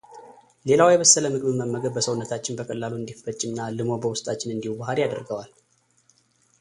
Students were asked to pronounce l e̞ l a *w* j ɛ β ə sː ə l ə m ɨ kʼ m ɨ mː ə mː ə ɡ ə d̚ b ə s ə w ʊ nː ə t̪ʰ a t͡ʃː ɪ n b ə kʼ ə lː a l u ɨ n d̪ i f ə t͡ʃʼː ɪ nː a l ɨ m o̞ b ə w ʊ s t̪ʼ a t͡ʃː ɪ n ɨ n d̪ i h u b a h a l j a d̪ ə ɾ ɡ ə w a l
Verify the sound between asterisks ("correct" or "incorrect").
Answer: correct